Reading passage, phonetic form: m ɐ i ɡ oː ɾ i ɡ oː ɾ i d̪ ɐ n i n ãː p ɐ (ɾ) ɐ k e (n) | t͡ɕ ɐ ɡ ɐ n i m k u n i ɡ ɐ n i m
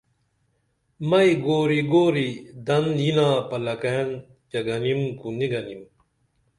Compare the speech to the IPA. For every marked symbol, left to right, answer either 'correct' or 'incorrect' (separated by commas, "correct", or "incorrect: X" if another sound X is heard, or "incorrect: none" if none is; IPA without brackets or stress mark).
incorrect: l, correct